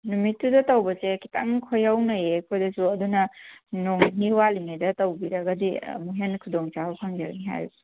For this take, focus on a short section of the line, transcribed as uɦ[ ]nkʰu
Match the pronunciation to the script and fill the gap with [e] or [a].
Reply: e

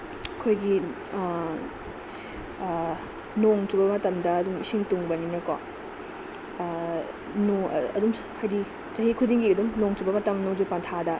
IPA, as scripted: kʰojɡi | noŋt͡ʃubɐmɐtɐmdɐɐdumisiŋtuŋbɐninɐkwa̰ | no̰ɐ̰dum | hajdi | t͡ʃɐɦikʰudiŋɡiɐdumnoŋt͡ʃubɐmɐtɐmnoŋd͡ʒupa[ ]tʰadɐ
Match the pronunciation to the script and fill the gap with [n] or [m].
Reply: n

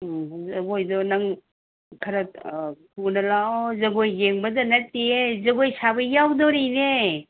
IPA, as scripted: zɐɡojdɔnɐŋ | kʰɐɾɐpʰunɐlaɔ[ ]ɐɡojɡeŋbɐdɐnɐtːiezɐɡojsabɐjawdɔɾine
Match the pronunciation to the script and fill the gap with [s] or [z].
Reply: z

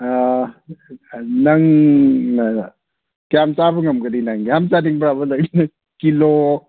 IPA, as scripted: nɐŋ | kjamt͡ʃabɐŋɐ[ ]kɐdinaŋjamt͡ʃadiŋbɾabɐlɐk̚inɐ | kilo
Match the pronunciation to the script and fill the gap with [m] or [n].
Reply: m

